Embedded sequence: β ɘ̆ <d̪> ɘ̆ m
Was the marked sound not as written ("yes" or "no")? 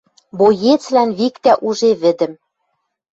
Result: no